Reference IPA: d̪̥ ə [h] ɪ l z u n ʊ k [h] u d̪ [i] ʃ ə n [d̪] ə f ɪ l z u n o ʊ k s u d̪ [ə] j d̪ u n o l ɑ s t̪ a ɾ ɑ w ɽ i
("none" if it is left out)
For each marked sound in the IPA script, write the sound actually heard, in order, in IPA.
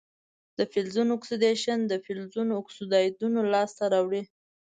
f, s, e, d̪, ɑ

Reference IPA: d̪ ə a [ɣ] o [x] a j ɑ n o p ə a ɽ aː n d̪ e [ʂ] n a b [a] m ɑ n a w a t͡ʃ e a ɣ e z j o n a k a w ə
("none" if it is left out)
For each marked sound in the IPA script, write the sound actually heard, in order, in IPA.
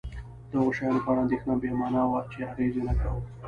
ɣ, ʃ, x, e

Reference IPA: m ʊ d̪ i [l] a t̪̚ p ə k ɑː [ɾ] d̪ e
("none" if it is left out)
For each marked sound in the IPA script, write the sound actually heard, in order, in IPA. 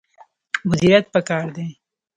ɾ, ɾ

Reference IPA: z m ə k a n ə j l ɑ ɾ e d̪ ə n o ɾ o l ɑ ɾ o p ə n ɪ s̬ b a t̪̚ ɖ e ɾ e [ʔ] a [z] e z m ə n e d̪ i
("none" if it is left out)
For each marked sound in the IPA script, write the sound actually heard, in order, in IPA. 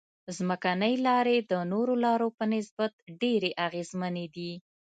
ʔ, ɣ

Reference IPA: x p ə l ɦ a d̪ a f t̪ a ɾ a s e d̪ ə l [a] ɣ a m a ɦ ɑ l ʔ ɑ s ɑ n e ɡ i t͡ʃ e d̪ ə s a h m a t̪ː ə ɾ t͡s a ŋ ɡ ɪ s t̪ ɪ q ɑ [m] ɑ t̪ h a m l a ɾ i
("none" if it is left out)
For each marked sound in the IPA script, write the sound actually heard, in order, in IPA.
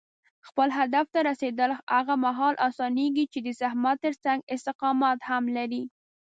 a, m

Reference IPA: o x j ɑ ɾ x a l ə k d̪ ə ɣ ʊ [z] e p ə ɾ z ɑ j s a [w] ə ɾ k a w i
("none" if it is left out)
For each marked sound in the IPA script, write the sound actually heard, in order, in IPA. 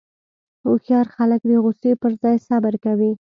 s, b

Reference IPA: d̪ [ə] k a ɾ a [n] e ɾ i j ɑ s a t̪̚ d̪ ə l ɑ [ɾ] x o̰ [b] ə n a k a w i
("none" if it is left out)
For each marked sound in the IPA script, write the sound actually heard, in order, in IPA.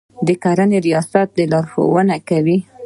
ə, n, ɾ, w

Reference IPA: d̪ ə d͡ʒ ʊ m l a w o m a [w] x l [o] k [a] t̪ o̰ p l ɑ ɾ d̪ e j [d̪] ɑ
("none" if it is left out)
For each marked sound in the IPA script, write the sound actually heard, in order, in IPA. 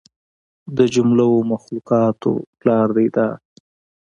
none, u, ɑ, d̪

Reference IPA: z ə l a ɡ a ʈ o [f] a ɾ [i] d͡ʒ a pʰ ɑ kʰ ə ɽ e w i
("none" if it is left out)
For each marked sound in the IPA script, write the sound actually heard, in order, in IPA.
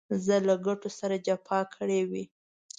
s, a

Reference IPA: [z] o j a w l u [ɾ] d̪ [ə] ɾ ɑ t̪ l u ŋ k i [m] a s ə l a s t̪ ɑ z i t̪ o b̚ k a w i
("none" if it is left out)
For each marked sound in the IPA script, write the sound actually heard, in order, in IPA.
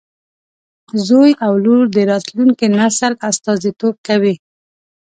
z, ɾ, ə, n

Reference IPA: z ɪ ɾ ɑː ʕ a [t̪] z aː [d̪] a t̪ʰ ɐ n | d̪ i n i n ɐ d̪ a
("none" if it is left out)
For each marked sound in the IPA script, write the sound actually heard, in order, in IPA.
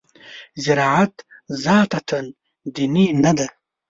t̪, t̪

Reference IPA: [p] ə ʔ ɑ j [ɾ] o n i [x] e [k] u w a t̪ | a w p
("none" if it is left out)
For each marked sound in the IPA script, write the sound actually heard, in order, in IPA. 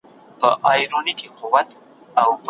p, ɾ, k, q

